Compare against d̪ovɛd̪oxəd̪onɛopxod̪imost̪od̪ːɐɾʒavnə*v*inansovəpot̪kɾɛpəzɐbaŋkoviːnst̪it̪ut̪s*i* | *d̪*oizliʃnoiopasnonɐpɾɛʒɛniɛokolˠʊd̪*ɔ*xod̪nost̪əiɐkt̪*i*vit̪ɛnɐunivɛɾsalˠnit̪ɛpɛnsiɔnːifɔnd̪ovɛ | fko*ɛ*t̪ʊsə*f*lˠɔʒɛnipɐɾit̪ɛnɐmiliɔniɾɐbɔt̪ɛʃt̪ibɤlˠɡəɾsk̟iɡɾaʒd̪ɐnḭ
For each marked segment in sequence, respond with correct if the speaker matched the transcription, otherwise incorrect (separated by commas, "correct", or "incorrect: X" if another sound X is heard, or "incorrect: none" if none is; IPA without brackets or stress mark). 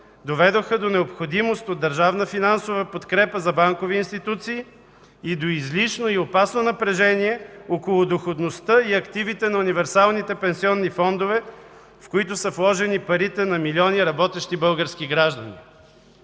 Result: incorrect: f, incorrect: iː, correct, incorrect: o, correct, incorrect: i, correct